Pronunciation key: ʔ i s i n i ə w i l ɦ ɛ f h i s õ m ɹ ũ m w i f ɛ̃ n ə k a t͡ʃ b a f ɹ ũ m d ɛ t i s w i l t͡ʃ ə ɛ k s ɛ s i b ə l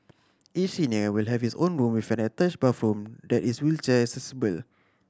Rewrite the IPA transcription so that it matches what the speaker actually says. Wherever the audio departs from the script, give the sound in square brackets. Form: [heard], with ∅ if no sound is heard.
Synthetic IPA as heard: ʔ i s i n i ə w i l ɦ ɛ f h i s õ [n] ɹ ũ m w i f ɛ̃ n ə [t] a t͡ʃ b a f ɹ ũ m d ɛ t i s w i l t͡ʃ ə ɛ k s ɛ s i b ə l